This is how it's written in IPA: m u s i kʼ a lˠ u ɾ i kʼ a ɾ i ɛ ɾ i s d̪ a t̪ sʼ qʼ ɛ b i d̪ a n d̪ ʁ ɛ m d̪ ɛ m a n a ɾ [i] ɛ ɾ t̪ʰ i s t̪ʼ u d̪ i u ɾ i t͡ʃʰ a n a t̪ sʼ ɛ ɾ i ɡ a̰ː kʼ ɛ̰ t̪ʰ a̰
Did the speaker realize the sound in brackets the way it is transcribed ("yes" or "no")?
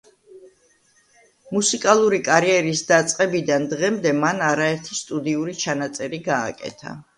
no